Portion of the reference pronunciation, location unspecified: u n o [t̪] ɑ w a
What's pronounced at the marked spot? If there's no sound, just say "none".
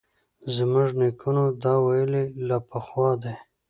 d̪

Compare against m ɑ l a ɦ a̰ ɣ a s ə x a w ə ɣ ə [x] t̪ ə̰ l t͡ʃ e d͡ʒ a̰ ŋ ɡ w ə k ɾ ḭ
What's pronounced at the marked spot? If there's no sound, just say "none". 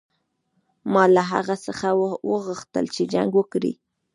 x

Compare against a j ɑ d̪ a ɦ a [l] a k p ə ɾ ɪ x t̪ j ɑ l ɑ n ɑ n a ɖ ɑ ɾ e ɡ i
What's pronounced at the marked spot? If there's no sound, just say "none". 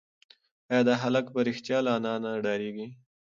l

